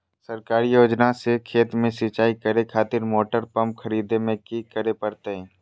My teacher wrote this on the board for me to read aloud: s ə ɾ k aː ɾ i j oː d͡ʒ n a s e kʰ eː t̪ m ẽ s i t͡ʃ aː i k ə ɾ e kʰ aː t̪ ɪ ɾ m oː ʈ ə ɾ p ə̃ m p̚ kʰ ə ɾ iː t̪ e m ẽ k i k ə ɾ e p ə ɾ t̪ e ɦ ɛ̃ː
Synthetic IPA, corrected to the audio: s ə ɾ k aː ɾ i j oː d͡ʒ n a s e kʰ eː t̪ m ẽ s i t͡ʃ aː i k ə ɾ e kʰ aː t̪ ɪ ɾ m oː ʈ ə ɾ p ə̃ m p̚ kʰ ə ɾ iː d̪ e m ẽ k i k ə ɾ e p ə ɾ t̪ e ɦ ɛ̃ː